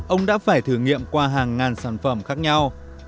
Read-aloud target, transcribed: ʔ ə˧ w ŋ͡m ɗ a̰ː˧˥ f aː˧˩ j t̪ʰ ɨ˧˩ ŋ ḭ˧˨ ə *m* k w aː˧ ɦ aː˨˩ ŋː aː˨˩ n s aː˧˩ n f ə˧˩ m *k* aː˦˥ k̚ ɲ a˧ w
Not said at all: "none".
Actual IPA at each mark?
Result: m, x

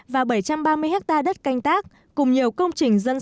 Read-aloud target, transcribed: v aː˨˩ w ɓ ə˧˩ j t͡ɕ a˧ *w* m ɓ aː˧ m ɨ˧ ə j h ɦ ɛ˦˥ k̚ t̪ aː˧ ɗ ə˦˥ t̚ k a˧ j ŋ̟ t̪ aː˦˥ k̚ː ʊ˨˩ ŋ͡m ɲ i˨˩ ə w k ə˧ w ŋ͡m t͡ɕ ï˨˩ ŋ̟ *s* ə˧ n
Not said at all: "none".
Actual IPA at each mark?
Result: none, z

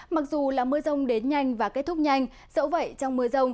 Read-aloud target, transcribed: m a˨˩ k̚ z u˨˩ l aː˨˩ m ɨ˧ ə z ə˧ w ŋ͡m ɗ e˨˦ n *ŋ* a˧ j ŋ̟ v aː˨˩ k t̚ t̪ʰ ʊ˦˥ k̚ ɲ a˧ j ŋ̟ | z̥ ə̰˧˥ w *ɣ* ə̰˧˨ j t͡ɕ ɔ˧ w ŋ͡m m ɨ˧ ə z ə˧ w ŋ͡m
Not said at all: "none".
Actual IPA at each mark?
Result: ɲ, v

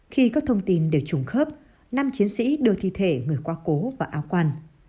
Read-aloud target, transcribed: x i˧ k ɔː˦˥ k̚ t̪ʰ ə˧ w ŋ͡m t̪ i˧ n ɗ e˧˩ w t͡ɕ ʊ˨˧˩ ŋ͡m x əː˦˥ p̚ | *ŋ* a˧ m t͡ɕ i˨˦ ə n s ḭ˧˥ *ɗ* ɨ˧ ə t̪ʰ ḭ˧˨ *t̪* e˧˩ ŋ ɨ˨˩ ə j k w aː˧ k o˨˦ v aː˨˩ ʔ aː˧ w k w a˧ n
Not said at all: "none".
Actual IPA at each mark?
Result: n, ɗ, t̪ʰ

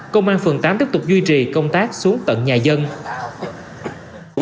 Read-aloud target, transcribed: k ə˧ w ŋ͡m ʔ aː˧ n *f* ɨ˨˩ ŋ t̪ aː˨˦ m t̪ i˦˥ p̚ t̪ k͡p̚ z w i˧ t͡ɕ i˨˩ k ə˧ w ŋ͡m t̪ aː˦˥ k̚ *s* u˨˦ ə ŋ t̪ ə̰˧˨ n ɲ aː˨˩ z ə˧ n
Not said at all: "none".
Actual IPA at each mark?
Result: f, s

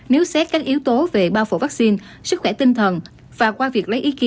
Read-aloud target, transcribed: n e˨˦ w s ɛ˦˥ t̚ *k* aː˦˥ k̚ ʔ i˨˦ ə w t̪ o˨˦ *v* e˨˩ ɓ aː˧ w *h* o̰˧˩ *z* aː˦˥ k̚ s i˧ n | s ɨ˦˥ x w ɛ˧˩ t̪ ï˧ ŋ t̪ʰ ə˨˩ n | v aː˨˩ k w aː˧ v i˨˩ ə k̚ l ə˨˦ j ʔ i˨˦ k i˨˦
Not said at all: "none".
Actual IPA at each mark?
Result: k, v, f, v

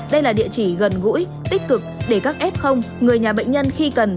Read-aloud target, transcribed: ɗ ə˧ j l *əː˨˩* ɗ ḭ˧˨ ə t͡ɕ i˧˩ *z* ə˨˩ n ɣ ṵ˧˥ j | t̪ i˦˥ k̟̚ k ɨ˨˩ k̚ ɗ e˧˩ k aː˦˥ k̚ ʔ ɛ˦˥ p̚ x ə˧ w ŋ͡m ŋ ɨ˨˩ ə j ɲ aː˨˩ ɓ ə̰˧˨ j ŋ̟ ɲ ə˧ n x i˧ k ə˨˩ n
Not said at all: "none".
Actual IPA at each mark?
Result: aː˨˩, ɣ

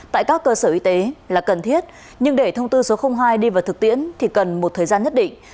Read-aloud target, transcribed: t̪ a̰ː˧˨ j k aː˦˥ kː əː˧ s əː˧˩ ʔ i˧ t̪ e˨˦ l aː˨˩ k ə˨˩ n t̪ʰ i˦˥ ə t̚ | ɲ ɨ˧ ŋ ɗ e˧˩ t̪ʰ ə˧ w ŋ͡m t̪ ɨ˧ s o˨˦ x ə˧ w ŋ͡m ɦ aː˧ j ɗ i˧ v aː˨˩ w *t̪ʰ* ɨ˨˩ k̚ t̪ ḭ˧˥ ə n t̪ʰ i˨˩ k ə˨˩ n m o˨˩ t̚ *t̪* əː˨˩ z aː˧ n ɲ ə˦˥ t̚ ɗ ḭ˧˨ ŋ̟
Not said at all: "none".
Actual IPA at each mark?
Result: t̪, t̪ʰ

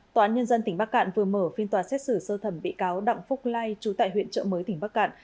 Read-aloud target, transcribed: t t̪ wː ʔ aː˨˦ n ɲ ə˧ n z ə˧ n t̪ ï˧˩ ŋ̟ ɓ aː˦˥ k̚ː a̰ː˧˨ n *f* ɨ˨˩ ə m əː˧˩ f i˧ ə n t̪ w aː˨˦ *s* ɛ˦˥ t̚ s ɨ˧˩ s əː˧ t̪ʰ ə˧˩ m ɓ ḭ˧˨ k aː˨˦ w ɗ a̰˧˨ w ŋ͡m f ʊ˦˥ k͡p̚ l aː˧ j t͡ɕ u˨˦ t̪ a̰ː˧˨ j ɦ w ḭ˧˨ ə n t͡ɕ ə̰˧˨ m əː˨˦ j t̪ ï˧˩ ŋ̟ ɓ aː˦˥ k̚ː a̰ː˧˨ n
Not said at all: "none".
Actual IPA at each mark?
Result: v, s

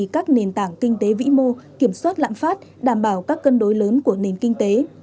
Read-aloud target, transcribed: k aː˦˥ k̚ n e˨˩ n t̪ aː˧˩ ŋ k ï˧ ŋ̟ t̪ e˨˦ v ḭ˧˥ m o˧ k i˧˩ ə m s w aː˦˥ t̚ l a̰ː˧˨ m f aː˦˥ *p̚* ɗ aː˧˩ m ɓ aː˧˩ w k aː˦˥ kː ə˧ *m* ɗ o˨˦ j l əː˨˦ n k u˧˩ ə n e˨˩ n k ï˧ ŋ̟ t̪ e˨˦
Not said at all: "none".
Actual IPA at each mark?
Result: t̚, n

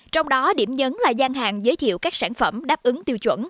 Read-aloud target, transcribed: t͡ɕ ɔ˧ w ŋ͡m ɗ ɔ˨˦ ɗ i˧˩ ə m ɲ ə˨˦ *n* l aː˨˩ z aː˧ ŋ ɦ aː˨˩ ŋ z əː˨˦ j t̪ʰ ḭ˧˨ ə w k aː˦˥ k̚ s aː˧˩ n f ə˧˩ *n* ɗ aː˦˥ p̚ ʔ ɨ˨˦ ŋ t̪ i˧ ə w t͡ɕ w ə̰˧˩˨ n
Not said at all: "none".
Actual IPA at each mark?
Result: n, m

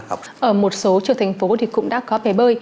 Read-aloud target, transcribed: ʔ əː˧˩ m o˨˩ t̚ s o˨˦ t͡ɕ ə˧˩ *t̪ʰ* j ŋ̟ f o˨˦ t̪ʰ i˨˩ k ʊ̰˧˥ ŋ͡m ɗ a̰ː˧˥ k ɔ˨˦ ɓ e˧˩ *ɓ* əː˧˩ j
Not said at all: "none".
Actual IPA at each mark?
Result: t̪ʰ, ɓ

